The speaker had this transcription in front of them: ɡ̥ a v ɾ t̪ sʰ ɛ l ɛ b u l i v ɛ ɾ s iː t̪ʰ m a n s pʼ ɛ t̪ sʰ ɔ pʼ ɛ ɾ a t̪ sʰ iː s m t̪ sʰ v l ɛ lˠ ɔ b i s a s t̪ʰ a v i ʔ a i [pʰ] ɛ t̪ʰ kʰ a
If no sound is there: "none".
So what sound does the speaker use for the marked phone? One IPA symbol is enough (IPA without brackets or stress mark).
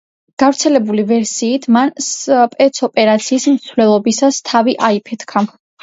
pʰ